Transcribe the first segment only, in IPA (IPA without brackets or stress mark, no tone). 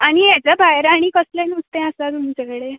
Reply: a